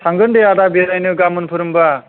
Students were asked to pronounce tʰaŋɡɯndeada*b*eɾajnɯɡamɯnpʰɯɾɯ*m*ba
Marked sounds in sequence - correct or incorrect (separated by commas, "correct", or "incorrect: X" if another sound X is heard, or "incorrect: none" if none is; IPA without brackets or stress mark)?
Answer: correct, correct